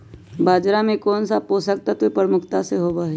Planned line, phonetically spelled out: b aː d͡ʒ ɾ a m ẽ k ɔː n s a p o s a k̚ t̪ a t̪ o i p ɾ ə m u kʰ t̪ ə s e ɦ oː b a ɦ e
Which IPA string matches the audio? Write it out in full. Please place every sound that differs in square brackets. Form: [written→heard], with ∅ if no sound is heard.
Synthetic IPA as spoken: b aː d͡ʒ ɾ a m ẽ k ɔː n s a p o s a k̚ t̪ a t̪ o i p ɾ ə m [u→ʊ] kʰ t̪ [ə→a] s e ɦ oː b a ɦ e